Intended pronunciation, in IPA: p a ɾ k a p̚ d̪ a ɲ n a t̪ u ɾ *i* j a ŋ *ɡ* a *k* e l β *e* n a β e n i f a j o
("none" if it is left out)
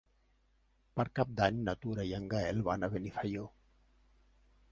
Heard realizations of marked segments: a, ɡ, none, a

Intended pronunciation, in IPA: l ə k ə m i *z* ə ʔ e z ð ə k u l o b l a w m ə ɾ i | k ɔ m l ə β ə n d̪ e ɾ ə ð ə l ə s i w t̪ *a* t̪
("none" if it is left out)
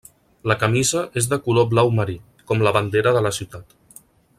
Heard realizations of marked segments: z, a

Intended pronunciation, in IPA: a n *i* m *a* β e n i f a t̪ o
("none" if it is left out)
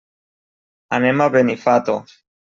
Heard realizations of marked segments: e, a

